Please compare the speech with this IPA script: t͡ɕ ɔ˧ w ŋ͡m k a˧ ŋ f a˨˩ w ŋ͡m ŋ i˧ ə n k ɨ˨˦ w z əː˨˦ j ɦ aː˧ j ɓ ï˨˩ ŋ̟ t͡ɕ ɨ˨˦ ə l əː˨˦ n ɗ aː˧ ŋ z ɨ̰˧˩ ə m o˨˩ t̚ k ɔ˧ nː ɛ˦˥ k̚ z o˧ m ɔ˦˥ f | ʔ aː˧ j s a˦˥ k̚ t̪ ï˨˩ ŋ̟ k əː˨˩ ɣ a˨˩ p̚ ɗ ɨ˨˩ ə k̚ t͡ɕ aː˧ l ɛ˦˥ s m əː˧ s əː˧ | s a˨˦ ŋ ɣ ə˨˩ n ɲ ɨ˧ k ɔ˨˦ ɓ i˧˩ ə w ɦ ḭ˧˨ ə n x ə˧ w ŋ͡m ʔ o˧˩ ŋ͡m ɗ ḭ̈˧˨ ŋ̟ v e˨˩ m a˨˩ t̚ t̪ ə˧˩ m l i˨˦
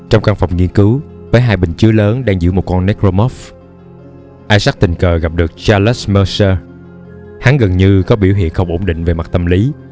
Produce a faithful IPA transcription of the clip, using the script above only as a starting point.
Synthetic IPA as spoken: t͡ɕ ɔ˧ w ŋ͡m k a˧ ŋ f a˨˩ w ŋ͡m ŋ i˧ ə n k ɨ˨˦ w v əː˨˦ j ɦ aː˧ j ɓ ï˨˩ ŋ̟ t͡ɕ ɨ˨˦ ə l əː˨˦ n ɗ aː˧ ŋ z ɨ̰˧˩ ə m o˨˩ t̚ k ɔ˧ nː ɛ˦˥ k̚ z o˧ m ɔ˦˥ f | ʔ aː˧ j s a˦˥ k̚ t̪ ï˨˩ ŋ̟ k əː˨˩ ɣ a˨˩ p̚ ɗ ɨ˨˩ ə k̚ t͡ɕ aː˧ l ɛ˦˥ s m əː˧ s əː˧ | h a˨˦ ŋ ɣ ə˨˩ n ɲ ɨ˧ k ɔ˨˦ ɓ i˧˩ ə w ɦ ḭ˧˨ ə n x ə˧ w ŋ͡m ʔ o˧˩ ŋ͡m ɗ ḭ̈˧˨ ŋ̟ v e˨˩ m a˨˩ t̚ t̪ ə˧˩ m l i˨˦